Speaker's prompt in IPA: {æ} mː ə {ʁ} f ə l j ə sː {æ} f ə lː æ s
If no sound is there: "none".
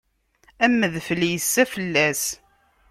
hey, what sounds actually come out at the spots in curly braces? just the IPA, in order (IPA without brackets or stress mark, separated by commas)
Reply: æ, ð, æ